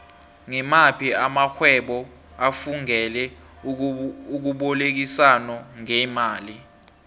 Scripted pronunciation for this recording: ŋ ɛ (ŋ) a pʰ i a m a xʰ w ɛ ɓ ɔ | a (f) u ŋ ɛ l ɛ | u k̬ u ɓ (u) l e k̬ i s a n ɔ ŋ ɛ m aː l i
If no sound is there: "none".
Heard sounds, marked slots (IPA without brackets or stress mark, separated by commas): m, f, ɔ